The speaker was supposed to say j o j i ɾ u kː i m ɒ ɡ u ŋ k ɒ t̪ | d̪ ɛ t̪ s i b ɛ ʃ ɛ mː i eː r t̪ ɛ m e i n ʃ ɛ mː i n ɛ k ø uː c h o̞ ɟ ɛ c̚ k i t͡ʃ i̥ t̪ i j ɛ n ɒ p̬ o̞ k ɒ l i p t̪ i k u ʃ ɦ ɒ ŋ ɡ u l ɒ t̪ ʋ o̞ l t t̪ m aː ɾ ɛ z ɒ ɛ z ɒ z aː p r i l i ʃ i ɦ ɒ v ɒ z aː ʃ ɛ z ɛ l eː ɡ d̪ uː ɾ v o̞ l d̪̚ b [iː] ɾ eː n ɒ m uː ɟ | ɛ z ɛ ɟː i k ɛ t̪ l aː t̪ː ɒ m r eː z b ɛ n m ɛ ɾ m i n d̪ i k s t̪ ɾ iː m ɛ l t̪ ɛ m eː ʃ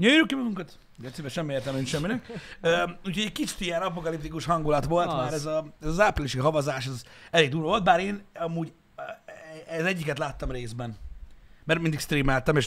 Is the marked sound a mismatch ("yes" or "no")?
yes